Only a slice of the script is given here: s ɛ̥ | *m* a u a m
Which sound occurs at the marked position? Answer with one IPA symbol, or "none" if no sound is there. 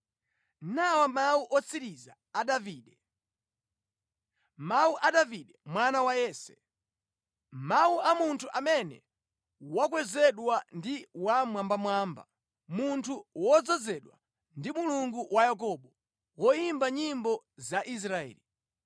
m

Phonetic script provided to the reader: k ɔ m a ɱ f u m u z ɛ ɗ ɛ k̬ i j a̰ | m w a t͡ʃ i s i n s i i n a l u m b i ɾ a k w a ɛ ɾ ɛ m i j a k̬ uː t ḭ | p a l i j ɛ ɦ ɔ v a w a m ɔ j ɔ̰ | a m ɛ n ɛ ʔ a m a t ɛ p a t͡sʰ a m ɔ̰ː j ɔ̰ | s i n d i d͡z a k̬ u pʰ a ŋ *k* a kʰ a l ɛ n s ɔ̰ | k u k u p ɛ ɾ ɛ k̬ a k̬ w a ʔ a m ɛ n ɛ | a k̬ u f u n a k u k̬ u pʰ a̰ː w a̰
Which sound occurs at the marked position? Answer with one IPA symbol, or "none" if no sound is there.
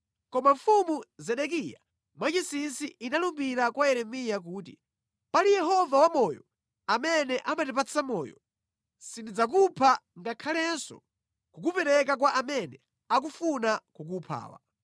ɡ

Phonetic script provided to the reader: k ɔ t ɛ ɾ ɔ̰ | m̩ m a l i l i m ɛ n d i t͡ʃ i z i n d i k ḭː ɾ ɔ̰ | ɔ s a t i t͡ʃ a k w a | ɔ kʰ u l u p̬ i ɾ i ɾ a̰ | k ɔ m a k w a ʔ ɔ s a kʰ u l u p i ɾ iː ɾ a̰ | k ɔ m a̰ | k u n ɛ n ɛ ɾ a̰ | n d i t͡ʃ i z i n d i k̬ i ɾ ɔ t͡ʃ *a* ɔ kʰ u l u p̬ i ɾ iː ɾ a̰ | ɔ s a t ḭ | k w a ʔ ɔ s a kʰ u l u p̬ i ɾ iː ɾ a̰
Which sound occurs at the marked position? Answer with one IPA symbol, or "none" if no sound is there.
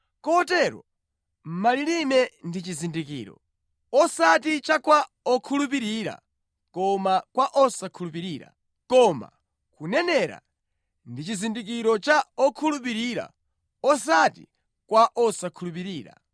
a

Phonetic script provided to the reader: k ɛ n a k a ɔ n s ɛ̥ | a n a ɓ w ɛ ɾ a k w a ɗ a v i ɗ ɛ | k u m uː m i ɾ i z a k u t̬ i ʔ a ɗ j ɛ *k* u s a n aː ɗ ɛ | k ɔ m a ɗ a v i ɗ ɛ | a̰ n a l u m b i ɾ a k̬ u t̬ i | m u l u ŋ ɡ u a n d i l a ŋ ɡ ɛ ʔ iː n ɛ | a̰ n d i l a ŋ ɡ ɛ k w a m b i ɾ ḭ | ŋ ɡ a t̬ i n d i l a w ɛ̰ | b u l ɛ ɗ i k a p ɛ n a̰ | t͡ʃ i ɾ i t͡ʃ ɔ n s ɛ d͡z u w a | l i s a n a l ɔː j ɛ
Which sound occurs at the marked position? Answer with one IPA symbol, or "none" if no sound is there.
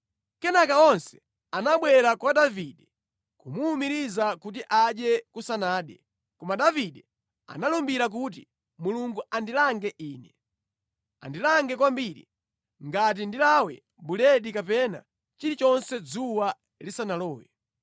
k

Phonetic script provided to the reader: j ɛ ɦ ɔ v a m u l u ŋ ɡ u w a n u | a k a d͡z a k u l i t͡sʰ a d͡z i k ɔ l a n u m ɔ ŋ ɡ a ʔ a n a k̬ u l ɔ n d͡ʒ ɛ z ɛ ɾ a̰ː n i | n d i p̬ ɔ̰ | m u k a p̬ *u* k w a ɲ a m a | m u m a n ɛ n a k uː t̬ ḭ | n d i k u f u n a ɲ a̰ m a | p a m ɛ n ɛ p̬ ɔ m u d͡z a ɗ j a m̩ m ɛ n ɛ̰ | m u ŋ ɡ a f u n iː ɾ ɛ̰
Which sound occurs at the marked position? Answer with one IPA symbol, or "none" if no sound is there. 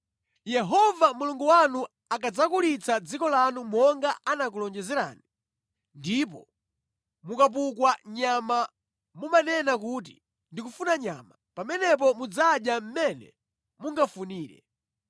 u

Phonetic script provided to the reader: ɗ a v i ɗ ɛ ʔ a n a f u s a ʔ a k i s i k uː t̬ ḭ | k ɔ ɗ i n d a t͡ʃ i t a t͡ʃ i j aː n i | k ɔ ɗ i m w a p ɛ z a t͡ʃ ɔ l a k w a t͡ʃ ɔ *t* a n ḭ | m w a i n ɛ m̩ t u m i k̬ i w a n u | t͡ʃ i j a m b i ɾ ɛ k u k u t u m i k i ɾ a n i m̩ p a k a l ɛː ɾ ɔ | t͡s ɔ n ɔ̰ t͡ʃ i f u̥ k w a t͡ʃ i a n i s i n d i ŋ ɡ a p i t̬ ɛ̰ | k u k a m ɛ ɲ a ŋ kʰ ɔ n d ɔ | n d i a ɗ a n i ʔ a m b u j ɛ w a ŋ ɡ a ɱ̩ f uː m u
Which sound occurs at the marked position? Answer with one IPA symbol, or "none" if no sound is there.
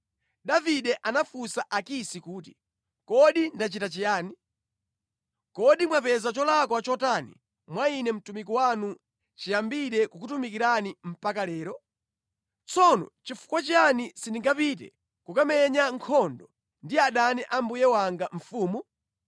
t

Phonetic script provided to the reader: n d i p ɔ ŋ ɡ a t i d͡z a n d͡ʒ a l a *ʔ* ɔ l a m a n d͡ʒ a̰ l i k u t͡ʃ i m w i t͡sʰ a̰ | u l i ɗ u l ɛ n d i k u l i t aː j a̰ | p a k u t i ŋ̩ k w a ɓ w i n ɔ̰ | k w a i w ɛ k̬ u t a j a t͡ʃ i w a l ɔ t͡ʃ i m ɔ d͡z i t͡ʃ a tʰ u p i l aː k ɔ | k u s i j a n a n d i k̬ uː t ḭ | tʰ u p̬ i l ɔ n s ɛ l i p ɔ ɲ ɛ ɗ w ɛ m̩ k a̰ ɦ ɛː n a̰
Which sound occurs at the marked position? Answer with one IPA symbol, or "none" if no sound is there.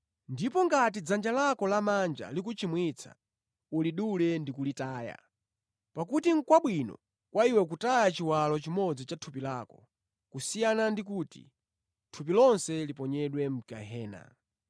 k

